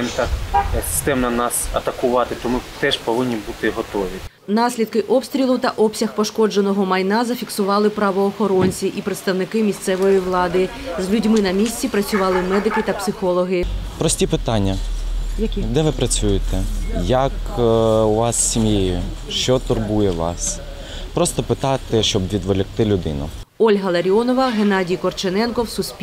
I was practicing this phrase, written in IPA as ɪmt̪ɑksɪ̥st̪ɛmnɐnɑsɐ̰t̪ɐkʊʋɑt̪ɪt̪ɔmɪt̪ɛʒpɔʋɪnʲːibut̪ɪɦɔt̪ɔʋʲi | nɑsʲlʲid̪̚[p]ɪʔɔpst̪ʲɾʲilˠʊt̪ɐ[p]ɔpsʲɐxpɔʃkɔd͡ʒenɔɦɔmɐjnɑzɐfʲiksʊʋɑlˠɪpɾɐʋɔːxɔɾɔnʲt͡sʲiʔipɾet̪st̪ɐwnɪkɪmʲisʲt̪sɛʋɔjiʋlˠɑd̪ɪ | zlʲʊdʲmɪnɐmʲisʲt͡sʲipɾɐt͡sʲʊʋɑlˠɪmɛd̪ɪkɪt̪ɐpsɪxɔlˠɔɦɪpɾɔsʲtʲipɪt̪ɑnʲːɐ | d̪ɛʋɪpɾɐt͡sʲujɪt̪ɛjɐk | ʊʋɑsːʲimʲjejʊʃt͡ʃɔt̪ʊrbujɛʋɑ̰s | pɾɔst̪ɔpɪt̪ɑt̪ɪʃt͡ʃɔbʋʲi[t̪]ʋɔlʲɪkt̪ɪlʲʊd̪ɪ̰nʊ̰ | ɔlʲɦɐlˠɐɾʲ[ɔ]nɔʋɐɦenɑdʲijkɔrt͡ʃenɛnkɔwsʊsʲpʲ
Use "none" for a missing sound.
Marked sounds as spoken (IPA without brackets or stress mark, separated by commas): k, ʔ, d̪, ɔ